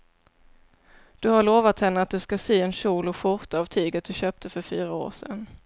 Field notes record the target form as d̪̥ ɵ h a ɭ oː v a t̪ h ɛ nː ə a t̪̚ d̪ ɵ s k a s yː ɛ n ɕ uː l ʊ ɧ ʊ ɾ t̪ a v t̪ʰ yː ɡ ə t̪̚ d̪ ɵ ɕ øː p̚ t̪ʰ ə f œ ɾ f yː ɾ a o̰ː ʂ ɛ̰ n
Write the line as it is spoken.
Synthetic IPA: d̪̥ ɵ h a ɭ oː v a t̪ h ɛ nː ə a t̪̚ d̪ ɵ s k a s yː ɛ n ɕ uː l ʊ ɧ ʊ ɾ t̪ a v t̪ʰ yː ɡ ə t̪̚ d̪ ɵ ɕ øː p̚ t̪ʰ ə f œ ɾ f yː ɾ a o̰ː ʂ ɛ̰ n